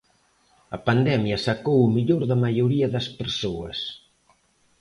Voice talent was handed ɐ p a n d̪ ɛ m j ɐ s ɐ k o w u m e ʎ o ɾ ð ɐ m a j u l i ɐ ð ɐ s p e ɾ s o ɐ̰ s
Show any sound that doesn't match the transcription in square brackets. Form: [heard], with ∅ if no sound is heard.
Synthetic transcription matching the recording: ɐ p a n d̪ ɛ m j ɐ s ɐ k o w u m [i] ʎ o ɾ ð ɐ m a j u [ɾ] i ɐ ð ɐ s p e ɾ s o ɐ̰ s